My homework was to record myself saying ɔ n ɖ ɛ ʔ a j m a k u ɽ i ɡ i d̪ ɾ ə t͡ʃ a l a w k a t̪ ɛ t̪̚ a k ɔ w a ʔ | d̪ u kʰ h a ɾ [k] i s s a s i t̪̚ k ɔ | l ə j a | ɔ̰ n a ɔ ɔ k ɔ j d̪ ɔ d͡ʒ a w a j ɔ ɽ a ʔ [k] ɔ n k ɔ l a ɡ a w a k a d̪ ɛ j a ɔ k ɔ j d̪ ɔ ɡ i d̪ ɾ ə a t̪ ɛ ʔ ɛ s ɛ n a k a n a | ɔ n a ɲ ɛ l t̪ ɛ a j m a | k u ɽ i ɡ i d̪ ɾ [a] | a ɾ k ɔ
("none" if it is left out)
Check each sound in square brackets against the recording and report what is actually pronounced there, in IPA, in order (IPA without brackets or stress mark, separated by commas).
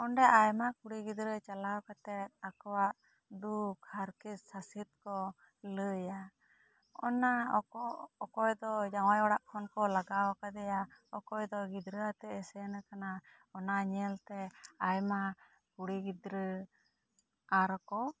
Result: k, kʰ, ə